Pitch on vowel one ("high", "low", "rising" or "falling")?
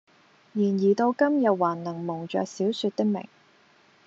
low